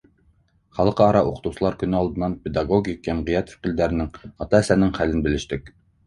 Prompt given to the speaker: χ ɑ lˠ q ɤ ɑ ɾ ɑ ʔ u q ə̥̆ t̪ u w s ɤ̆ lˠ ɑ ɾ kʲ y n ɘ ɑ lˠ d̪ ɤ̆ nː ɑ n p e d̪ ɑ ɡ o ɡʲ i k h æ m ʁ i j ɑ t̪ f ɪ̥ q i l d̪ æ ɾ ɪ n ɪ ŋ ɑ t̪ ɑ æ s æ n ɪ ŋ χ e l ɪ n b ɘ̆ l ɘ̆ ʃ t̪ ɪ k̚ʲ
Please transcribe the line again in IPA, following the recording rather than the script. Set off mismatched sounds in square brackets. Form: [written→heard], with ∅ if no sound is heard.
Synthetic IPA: χ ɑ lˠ q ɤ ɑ ɾ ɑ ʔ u q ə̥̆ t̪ u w s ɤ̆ lˠ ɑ ɾ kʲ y n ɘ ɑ lˠ d̪ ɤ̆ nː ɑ n p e d̪ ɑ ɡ o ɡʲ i k h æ m ʁ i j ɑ t̪ f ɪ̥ q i l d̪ æ ɾ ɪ n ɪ ŋ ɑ t̪ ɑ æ s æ n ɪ ŋ χ [e→æ] l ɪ n b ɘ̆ l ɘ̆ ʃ t̪ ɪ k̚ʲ